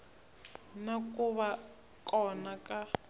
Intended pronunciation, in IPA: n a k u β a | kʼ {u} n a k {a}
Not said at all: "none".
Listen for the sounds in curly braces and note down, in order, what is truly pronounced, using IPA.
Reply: ɔ, a

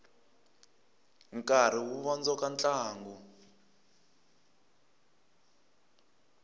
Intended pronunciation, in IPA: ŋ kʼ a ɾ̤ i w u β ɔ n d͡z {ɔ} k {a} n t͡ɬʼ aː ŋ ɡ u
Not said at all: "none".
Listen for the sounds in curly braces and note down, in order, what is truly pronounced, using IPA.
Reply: ɔ, a

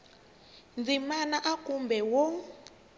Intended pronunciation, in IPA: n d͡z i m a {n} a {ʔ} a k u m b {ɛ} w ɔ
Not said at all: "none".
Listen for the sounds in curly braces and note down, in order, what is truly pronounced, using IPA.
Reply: n, ʔ, ɛ

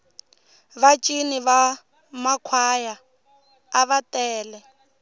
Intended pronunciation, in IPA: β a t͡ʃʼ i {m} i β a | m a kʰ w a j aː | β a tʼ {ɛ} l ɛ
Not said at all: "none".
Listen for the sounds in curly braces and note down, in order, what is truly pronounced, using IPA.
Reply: n, ɛː

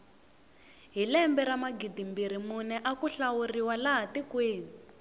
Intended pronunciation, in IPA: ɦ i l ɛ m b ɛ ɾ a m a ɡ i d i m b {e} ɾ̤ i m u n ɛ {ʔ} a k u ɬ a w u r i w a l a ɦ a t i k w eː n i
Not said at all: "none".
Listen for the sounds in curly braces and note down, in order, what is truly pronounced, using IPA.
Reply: i, ʔ

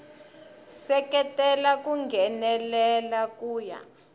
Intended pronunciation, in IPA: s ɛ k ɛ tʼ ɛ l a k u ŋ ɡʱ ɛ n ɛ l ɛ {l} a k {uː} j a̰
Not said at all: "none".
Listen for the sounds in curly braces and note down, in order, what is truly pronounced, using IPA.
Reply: l, uː

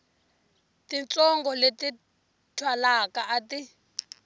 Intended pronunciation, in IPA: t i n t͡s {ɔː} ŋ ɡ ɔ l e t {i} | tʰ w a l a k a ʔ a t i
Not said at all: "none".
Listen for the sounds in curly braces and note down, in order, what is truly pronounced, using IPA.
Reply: ɔ, i

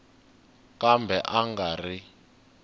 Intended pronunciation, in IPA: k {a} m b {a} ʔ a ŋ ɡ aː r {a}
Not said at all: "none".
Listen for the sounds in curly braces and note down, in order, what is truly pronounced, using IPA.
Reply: a, ɛ, i

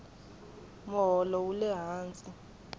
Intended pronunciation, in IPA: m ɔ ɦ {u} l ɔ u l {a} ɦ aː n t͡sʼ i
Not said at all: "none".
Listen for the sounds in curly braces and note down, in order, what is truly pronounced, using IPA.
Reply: ɔ, ɛ

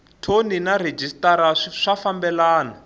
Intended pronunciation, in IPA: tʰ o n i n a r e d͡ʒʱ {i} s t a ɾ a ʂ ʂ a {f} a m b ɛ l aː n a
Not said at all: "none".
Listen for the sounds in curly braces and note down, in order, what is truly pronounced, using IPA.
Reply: i, f

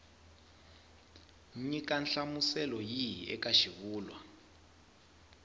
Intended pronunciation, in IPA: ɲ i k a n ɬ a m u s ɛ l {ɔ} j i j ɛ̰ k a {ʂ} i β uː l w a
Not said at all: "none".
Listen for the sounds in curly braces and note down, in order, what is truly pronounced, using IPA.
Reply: ɔ, ʃ

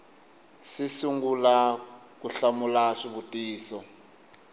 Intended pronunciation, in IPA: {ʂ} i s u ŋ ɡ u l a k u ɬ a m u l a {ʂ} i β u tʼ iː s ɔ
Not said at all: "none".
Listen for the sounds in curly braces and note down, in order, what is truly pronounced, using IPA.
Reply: s, ʂ

